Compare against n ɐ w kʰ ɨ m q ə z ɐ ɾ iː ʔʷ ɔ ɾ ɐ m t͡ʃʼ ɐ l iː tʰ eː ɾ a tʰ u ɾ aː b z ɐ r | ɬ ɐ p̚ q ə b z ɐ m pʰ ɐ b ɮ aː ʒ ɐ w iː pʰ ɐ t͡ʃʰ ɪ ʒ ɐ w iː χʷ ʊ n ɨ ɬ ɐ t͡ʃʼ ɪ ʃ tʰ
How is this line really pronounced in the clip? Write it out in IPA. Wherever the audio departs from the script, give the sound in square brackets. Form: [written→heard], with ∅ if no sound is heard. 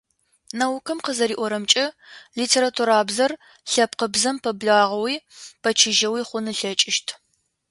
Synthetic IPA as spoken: n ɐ w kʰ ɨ m q ə z ɐ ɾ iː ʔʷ ɔ ɾ ɐ m t͡ʃʼ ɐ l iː tʰ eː ɾ a tʰ u ɾ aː b z ɐ r | ɬ ɐ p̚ q ə b z ɐ m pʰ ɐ b ɮ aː [ʒ→ʁ] ɐ w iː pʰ ɐ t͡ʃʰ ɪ ʒ ɐ w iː χʷ ʊ n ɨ ɬ ɐ t͡ʃʼ ɪ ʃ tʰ